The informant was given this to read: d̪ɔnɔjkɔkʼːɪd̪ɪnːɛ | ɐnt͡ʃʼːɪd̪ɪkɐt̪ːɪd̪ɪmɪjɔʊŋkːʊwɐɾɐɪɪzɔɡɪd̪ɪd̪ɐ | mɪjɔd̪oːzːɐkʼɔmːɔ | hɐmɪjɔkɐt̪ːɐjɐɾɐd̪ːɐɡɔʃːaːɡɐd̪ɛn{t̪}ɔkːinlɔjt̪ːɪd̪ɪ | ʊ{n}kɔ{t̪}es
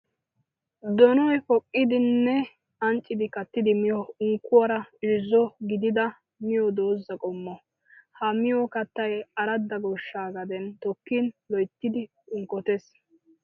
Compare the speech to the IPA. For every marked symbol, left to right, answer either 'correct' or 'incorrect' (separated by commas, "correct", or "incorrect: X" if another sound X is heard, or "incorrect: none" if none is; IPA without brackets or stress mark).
correct, incorrect: ŋ, correct